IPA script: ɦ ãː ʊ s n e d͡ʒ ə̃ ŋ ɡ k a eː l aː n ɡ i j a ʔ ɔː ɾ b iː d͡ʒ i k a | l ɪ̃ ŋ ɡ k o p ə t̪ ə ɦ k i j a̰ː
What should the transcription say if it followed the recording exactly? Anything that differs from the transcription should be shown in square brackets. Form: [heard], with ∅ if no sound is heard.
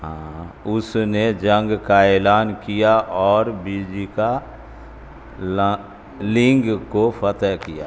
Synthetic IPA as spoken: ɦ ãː ʊ s n e d͡ʒ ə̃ ŋ ɡ k a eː l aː n [k] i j a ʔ ɔː ɾ b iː d͡ʒ i k a | l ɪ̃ ŋ ɡ k o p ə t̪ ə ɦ k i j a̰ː

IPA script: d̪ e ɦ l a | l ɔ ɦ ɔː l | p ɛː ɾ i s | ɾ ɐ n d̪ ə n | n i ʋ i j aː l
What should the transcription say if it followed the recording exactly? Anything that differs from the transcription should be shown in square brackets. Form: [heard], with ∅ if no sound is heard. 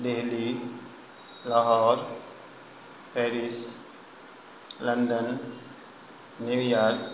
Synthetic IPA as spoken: d̪ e ɦ l [i] | l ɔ ɦ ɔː [ɾ] | p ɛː ɾ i s | [l] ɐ n d̪ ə n | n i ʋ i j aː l

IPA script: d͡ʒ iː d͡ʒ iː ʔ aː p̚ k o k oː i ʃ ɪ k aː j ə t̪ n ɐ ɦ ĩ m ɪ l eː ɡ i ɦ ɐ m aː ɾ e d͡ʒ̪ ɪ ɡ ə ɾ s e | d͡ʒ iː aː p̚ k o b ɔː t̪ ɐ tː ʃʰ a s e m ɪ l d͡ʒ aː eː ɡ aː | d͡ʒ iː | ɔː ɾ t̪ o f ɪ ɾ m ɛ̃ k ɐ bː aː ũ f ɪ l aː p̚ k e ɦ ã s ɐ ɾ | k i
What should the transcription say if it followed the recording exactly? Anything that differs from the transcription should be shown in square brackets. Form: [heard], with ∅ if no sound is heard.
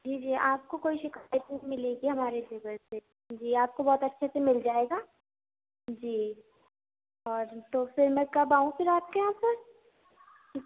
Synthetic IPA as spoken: d͡ʒ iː d͡ʒ iː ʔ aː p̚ k o k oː i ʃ ɪ k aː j ə t̪ n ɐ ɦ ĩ m ɪ l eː ɡ i ɦ ɐ m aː ɾ e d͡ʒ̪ ɪ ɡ ə ɾ s e | d͡ʒ iː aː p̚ k o b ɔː t̪ ɐ tː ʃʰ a s e m ɪ l d͡ʒ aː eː ɡ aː | d͡ʒ iː | ɔː ɾ t̪ o f ɪ ɾ m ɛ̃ k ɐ [b] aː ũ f ɪ [ɾ] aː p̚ k e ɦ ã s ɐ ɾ | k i

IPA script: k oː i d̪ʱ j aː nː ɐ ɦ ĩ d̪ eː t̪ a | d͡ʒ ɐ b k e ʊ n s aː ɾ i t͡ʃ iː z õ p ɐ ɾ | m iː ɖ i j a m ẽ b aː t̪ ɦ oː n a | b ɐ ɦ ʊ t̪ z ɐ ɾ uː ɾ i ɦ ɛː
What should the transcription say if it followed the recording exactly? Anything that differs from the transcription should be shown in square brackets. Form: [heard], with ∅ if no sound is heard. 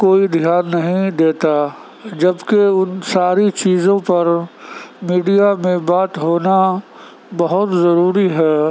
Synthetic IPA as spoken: k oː i d̪ʱ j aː nː ɐ ɦ ĩ d̪ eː t̪ a | d͡ʒ ɐ b k e ʊ n s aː ɾ i t͡ʃ iː z õ p ɐ ɾ | m iː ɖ i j a m ẽ b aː t̪ ɦ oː n a | b ɐ ɦ ʊ t̪ z ɐ ɾ uː ɾ i ɦ ɛː

